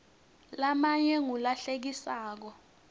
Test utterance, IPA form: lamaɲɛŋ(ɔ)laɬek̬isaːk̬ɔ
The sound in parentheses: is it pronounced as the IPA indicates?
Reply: no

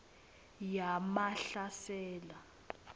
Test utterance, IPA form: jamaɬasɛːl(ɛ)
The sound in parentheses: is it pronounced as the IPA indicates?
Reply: no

